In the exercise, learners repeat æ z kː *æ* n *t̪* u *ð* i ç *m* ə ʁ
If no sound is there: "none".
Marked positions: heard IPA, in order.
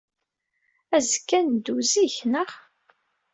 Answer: æ, d̪, z, n

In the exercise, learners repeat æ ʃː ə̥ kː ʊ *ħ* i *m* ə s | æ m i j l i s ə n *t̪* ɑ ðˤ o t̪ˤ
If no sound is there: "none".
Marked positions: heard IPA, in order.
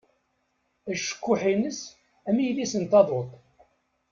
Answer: ħ, n, t̪

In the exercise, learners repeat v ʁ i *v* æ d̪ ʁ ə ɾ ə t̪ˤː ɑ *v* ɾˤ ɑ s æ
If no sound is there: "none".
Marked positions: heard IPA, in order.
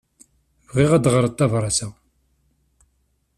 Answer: ʁ, v

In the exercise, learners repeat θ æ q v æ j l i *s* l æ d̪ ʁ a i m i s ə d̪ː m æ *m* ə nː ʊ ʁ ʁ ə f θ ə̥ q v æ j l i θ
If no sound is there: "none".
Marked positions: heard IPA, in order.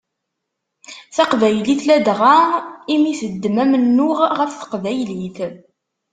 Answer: θ, m

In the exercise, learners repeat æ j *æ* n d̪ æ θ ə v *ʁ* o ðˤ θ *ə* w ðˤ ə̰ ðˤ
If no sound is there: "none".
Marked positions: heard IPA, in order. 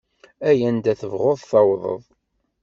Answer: æ, ʁ, ɑ

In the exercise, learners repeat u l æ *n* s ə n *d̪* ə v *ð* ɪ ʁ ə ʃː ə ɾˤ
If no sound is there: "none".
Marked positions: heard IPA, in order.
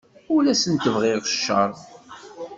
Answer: none, t̪, ʁ

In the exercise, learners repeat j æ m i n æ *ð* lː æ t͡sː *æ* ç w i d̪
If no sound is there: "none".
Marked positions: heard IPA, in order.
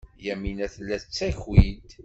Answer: θ, æ

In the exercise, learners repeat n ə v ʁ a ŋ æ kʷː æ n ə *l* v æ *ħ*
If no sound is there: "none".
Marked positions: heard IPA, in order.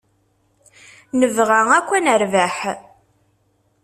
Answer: ɾ, ħ

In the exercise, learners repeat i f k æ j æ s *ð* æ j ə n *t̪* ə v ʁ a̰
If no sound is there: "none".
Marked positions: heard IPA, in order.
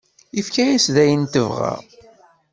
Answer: ð, t̪

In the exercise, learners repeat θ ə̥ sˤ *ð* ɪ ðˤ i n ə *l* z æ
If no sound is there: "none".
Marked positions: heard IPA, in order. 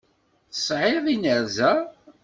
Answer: ʕ, ɾ

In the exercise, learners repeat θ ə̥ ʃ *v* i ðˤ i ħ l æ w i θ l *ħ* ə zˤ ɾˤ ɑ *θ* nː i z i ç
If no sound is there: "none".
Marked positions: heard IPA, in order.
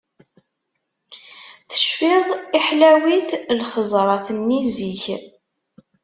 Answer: f, χ, θ

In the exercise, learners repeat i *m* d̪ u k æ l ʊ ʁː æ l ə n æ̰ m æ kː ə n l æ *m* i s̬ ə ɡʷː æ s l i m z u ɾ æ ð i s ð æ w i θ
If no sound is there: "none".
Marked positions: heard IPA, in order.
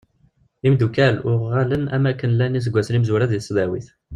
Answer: m, n

